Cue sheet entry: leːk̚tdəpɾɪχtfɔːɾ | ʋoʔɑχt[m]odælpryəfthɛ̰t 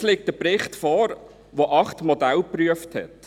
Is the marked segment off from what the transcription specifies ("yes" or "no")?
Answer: no